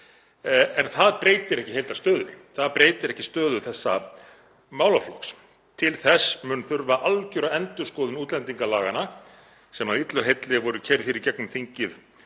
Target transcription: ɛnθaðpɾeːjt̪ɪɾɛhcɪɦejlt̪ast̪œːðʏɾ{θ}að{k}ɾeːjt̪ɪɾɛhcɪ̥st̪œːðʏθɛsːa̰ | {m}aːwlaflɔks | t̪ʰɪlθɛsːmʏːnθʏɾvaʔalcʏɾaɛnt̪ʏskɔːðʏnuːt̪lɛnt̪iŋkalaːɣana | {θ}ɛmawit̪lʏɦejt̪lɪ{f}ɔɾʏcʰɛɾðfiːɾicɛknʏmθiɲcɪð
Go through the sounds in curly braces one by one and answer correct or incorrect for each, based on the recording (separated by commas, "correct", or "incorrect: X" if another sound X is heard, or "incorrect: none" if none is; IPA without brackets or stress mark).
correct, incorrect: p, correct, incorrect: s, incorrect: v